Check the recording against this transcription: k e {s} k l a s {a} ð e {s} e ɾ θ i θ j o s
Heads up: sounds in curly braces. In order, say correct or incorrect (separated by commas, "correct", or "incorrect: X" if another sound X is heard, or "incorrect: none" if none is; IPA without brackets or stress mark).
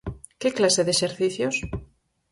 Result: incorrect: none, incorrect: e, incorrect: ʃ